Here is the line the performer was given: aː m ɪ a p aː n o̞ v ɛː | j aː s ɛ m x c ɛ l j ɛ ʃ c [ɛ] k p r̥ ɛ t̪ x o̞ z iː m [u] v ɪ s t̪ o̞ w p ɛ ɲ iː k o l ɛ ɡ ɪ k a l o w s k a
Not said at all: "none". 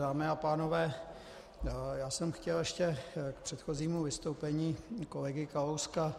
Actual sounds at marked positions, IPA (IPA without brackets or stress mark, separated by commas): ɛ, u